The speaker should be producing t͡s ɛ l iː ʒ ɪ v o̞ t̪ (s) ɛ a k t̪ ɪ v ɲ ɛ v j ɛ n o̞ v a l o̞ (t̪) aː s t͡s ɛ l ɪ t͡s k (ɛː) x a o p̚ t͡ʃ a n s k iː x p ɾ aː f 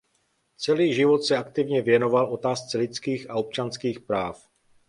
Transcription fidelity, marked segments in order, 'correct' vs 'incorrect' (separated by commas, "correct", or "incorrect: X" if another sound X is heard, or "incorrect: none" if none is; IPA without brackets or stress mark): correct, correct, incorrect: iː